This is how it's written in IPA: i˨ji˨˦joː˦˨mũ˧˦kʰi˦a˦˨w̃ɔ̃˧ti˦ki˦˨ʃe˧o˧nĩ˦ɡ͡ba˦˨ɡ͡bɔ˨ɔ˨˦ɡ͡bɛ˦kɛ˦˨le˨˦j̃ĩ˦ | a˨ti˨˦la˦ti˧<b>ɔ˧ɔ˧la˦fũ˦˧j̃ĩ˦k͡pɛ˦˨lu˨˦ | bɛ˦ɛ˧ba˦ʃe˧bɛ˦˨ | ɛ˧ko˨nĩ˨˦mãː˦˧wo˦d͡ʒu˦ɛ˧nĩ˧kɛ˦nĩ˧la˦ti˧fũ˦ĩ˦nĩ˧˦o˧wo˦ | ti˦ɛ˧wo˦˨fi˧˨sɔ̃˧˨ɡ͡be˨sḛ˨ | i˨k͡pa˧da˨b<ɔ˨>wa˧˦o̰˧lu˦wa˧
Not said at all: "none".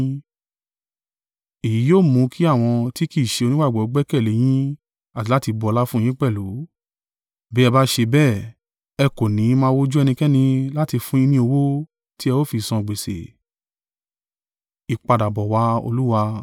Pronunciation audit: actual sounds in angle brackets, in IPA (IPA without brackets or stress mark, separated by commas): b, ɔ˨